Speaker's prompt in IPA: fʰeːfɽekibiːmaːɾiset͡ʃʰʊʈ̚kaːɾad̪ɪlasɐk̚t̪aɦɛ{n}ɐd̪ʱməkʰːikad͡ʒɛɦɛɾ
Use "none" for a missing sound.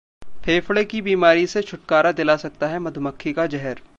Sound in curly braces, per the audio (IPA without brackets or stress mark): m